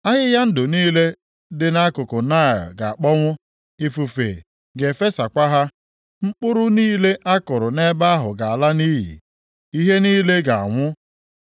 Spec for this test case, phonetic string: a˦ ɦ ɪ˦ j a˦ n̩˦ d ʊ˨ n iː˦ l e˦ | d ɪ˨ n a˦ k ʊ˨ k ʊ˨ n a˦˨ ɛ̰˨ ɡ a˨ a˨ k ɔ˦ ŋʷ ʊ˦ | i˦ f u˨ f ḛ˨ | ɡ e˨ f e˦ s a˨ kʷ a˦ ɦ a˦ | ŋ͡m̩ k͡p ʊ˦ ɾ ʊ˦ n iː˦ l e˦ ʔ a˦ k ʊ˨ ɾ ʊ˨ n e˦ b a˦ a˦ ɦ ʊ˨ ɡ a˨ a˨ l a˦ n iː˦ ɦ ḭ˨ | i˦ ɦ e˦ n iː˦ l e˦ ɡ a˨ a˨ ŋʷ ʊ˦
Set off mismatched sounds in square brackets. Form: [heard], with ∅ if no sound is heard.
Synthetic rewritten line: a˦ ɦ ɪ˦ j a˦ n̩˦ d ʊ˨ n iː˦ l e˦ | d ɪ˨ n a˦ k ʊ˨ k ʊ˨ n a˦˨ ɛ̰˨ ɡ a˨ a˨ [k͡p] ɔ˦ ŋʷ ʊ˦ | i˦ f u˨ f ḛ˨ | ɡ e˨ f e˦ s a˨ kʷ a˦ ɦ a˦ | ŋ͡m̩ k͡p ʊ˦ ɾ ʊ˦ n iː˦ l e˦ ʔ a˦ k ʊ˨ ɾ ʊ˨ n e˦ b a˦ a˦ ɦ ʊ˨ ɡ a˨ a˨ l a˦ n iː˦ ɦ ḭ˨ | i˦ ɦ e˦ n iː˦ l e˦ ɡ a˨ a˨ ŋʷ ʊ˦